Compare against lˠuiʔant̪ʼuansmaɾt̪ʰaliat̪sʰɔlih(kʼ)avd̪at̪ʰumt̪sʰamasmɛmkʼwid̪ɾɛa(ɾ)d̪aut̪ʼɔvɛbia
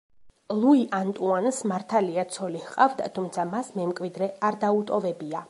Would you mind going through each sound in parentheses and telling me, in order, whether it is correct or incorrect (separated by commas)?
incorrect, correct